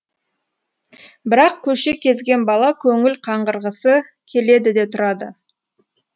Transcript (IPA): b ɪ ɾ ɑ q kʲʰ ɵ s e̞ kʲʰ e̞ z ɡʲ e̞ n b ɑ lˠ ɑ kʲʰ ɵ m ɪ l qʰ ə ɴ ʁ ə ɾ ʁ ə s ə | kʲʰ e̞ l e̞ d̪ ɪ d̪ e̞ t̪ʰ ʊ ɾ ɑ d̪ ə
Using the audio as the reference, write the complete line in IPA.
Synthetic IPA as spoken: b ɪ ɾ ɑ q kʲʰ ɵ ʃ e̞ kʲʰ e̞ z ɡʲ e̞ n b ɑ lˠ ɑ kʲʰ ɵ ŋ ɪ l qʰ ɑ ɴ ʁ ə ɾ ʁ ə s ə | kʲʰ e̞ l e̞ d̪ ɪ d̪ e̞ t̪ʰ ʊ ɾ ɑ d̪ ə